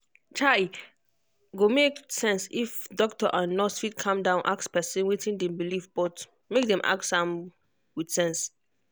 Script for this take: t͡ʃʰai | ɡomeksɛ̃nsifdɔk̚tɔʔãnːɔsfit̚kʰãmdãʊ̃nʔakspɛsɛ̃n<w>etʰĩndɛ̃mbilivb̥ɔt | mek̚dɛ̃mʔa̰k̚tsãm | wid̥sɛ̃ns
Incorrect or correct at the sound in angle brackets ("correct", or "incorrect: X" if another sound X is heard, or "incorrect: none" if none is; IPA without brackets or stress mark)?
correct